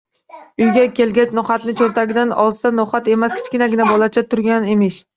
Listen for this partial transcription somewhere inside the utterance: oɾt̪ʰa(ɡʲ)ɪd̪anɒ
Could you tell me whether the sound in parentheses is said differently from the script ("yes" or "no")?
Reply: no